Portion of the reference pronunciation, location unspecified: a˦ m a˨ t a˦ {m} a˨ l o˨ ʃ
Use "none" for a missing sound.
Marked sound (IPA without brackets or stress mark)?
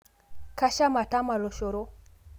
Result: m